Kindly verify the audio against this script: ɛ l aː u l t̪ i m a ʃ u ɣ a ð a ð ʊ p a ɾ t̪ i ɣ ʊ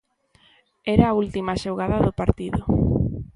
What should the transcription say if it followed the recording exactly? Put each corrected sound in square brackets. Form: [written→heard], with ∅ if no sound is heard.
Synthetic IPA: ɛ [l→ɾ] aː u l t̪ i m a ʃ [u→o] ɣ a ð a ð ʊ p a ɾ t̪ i [ɣ→ð] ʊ